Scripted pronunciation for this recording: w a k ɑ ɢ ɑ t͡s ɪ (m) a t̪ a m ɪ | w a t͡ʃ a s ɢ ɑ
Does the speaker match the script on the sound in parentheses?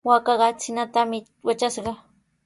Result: no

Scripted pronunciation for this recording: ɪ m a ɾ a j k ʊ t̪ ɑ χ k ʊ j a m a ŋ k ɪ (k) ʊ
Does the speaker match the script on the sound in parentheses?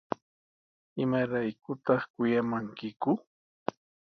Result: yes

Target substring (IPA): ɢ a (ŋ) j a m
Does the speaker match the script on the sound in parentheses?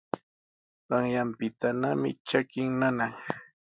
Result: yes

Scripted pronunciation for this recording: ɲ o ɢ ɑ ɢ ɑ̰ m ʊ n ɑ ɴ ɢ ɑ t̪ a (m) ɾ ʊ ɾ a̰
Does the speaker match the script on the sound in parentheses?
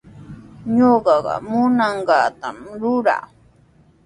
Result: yes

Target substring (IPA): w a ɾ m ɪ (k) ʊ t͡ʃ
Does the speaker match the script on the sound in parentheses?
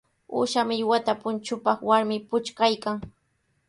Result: no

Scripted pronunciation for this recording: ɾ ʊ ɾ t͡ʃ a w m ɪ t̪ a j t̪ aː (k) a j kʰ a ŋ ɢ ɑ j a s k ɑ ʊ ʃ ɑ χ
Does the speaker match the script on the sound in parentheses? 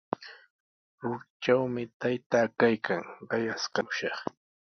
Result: yes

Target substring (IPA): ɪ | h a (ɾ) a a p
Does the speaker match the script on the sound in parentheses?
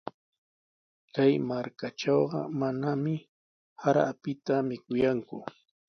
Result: yes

